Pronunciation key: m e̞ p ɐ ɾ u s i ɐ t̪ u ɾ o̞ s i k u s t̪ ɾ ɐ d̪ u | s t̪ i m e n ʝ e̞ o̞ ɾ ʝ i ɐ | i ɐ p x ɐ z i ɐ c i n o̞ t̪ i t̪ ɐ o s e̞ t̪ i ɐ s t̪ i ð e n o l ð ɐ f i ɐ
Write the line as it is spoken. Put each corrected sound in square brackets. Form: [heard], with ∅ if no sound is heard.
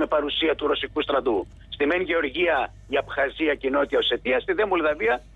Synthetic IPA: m e̞ p ɐ ɾ u s i ɐ t̪ u ɾ o̞ s i k u s t̪ ɾ ɐ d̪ u | s t̪ i m e n ʝ e̞ o̞ ɾ ʝ i ɐ | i ɐ p x ɐ z i ɐ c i n o̞ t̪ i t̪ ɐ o s e̞ t̪ i ɐ s t̪ i ð e [m] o l ð ɐ [v] i ɐ